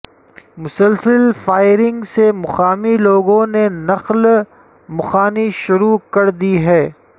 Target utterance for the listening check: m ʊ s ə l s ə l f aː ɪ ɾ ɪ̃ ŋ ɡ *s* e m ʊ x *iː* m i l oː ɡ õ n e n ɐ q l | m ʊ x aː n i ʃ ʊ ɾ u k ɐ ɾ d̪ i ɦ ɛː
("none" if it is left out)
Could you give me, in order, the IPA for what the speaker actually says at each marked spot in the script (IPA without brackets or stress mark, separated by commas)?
s, aː